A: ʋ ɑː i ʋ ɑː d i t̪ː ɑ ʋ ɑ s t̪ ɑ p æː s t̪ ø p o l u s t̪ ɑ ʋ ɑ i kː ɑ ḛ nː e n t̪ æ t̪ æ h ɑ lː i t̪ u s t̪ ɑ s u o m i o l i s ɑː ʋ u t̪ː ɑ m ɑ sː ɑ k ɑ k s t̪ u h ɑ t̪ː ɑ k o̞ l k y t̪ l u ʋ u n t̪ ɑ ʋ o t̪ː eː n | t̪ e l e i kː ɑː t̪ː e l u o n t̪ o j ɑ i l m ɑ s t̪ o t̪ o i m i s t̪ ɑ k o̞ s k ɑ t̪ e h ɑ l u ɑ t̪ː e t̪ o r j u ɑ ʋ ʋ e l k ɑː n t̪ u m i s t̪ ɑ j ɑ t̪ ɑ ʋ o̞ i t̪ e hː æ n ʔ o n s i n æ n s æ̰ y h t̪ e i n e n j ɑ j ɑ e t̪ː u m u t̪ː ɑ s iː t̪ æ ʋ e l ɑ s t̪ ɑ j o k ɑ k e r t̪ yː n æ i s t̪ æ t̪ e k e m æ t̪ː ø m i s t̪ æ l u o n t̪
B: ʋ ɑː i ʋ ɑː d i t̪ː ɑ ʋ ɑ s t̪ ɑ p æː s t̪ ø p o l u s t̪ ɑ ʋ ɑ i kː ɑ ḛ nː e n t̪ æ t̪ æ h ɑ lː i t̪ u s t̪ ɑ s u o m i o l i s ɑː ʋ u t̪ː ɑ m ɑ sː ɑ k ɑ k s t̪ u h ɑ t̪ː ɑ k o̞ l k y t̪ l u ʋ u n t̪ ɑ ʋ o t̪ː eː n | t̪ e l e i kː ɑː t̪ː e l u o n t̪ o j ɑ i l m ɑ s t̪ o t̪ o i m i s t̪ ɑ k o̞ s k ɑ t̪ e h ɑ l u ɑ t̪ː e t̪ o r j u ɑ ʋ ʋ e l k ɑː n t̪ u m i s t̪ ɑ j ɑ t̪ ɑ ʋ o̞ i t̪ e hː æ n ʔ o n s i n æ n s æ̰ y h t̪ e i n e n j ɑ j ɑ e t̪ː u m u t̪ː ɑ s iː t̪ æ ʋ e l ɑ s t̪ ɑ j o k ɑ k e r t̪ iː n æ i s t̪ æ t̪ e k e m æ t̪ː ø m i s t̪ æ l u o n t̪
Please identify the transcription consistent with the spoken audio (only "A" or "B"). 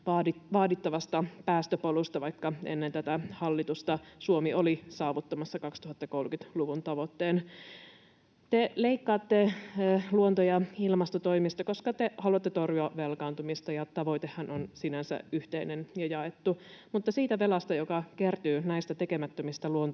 A